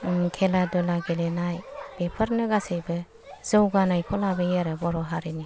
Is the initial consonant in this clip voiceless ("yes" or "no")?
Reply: yes